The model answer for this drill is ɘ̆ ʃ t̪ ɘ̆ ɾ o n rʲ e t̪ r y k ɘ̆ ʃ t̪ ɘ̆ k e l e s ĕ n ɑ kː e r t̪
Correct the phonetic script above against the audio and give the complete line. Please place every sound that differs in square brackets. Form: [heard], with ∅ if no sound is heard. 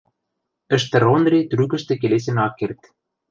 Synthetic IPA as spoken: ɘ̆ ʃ t̪ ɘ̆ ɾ o n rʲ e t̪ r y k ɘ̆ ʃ t̪ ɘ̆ k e l e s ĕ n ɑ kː e r t̪